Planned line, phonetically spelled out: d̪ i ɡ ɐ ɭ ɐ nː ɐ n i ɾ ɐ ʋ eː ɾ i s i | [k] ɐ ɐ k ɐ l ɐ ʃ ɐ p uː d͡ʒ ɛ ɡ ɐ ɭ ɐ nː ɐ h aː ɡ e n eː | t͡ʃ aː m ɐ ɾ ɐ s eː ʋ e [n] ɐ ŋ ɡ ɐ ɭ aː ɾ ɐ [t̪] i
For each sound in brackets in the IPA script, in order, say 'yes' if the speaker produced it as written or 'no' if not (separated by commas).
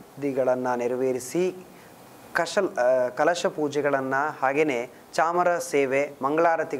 yes, no, yes